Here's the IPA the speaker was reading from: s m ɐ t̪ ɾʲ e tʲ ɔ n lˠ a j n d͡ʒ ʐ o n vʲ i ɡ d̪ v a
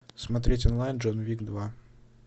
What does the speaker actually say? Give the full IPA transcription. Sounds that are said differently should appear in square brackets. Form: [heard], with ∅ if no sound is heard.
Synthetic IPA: s m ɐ t̪ ɾʲ e tʲ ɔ n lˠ a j n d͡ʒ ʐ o n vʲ i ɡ d̪ v a